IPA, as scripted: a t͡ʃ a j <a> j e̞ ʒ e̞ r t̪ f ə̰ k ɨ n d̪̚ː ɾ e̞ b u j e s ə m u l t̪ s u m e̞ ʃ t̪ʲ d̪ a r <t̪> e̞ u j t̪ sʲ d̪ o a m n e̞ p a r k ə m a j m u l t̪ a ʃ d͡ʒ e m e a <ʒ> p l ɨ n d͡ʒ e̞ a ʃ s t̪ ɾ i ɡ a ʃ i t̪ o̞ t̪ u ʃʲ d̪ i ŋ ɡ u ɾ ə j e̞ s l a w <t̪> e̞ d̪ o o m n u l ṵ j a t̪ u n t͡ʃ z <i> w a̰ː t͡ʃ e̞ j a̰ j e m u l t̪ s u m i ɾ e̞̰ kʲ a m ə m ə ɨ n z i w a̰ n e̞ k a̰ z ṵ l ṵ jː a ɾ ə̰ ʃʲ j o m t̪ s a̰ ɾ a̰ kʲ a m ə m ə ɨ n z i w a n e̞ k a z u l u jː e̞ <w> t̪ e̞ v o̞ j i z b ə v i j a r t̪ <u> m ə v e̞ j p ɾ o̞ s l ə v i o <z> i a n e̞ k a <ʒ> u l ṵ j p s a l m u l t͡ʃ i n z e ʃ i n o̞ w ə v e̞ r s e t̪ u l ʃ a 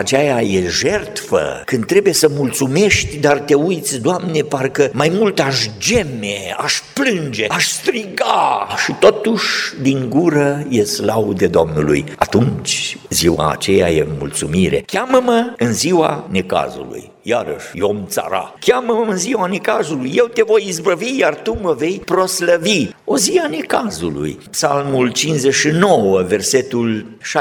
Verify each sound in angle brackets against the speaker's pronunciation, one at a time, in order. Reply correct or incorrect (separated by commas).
correct, correct, incorrect, incorrect, correct, correct, correct, correct, incorrect